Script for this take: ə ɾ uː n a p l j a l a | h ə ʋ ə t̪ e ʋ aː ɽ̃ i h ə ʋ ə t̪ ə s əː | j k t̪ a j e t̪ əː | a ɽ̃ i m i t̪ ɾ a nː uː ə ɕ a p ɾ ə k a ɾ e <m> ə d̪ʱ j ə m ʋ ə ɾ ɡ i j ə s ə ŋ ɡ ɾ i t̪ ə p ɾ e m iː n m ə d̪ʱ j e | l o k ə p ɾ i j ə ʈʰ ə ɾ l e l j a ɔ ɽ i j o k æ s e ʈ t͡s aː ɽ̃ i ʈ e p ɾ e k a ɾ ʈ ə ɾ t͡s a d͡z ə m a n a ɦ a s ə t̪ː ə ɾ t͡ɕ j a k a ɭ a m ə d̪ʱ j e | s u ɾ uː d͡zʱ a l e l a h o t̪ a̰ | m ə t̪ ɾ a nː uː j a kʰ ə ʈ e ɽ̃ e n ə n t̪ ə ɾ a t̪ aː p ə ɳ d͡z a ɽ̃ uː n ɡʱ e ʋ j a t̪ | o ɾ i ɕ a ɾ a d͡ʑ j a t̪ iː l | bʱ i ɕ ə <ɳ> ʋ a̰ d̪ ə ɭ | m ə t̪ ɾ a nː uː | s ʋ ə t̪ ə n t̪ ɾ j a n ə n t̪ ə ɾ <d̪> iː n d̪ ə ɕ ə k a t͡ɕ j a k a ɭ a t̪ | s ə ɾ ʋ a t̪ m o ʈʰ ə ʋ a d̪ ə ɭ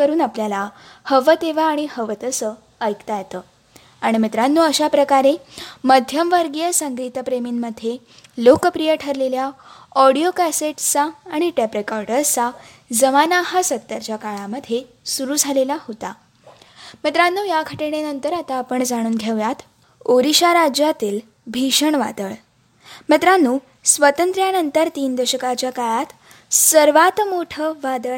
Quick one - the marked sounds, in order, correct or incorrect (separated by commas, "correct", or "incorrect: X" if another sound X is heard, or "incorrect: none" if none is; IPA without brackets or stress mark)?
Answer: correct, correct, incorrect: t̪